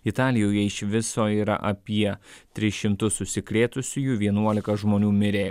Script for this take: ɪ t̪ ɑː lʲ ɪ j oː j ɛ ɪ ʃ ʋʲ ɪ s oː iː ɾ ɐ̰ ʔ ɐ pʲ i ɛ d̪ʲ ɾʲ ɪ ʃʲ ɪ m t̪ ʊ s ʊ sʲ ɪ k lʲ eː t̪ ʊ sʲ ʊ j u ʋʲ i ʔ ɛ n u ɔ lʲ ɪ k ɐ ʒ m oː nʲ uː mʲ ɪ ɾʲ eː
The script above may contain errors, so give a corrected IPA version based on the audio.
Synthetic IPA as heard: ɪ t̪ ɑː lʲ ɪ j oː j ɛ ɪ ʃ ʋʲ ɪ s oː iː ɾ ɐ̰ ʔ ɐ pʲ i ɛ t̪ʲ ɾʲ ɪ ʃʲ ɪ m t̪ ʊ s ʊ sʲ ɪ k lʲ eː t̪ ʊ sʲ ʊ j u ʋʲ i ɛ n u ɔ lʲ ɪ k ɐ ʒ m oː nʲ uː mʲ ɪ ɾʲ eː